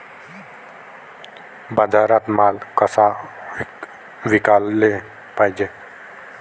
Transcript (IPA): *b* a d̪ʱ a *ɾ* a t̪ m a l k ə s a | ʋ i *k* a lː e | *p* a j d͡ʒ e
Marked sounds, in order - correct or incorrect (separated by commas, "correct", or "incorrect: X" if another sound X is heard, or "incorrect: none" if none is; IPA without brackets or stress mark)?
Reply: correct, correct, correct, correct